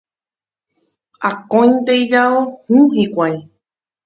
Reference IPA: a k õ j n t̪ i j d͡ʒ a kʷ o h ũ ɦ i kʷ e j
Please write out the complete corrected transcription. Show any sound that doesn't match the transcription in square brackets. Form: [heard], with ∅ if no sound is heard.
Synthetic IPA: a k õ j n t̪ [e] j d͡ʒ a [∅] o h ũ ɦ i kʷ [a] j

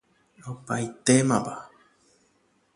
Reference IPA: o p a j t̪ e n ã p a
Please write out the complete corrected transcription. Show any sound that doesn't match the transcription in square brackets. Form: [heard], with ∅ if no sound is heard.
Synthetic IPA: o p a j t̪ e [m] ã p a

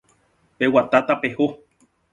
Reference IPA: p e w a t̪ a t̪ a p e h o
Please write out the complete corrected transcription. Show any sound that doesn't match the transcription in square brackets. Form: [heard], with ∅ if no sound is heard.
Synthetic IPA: p e w a t̪ a t̪ a p e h o

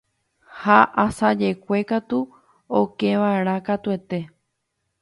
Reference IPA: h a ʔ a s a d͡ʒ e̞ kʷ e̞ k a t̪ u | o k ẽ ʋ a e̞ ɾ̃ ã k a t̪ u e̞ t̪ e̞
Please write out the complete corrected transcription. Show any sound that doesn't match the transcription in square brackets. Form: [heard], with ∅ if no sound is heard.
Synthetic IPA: h a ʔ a s a d͡ʒ e̞ kʷ e̞ k a t̪ u | o k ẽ ʋ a e̞ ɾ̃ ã k a t̪ u e̞ t̪ e̞

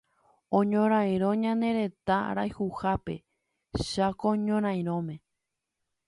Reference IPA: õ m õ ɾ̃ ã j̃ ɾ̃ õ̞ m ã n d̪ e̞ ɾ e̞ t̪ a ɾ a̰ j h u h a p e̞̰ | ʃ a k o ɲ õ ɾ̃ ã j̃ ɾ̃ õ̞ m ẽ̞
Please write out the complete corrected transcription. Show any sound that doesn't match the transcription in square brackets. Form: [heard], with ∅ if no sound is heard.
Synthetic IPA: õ [ɲ] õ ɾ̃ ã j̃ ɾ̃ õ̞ [ɲ] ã n d̪ e̞ ɾ e̞ t̪ a ɾ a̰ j h u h a p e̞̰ | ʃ a k o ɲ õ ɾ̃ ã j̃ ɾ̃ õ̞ m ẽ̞

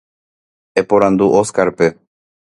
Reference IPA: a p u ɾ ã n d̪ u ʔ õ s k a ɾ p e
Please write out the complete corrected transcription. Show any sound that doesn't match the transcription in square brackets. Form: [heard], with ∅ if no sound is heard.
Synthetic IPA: [e] p [o] ɾ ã n d̪ u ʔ [o] s k a ɾ p e

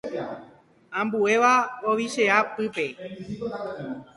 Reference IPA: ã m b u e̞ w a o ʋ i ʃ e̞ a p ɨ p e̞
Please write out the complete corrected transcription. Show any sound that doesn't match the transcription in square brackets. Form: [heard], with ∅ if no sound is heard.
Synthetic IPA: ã m b u e̞ [ʋ] a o ʋ i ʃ e̞ a p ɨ p e̞

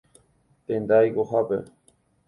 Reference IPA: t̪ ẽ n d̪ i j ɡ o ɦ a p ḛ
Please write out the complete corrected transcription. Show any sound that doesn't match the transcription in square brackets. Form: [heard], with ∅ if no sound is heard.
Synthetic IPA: t̪ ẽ n d̪ [a] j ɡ o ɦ a p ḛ

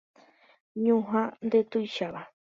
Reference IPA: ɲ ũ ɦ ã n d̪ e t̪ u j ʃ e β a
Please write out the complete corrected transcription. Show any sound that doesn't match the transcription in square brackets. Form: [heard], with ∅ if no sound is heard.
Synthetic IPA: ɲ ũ ɦ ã n d̪ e t̪ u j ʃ [a] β a

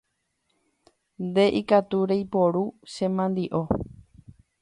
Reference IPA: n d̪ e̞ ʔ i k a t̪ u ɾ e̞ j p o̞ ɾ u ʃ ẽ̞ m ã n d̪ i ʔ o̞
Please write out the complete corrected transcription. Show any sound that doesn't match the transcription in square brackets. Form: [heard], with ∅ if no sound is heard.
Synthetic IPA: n d̪ e̞ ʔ i k a t̪ u ɾ e̞ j p o̞ ɾ u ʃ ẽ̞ m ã n d̪ i ʔ o̞

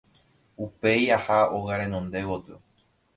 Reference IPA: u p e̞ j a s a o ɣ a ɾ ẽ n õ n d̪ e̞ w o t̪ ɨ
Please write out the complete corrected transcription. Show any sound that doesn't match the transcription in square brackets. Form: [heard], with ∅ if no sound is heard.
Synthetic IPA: u p e̞ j a [h] a o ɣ a ɾ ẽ n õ n d̪ e̞ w o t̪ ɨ

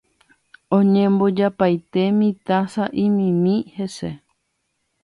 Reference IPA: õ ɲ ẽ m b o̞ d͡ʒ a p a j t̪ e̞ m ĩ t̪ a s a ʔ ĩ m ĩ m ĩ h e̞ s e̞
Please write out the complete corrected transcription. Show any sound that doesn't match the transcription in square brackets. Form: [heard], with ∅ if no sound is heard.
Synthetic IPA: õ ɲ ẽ m b o̞ d͡ʒ a p a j t̪ e̞ m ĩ t̪ a s a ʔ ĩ m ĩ m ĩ h e̞ s e̞

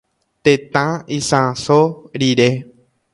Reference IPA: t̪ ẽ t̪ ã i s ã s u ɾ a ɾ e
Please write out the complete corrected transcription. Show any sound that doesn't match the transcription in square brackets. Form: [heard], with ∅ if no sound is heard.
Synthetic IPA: t̪ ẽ t̪ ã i s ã s [o] ɾ [i] ɾ e

